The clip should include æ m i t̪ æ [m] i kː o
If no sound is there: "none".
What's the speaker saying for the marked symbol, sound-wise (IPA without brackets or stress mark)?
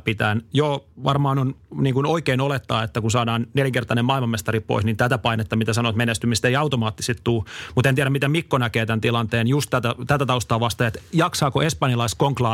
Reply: m